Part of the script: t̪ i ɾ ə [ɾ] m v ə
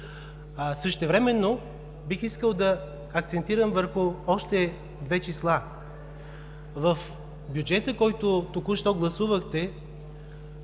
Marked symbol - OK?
no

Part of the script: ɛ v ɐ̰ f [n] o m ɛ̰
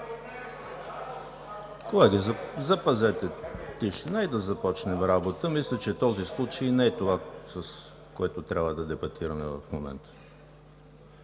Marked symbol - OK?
no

